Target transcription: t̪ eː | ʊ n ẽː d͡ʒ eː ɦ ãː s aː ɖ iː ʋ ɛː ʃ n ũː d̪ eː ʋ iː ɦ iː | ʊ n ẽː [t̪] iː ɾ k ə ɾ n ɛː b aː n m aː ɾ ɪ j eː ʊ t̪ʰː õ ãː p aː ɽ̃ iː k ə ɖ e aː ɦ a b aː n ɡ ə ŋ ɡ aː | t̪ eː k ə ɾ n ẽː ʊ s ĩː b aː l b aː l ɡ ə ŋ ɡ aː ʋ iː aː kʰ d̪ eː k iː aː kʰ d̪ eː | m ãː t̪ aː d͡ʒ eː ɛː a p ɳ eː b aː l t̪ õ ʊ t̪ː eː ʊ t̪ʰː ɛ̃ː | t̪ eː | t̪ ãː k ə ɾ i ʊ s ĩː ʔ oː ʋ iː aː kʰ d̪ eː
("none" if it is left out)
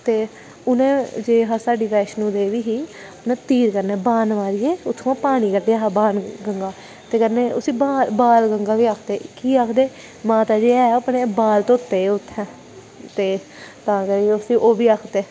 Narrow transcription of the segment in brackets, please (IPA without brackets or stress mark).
t̪